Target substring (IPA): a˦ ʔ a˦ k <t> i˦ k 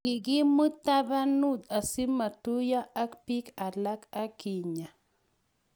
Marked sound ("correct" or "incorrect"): incorrect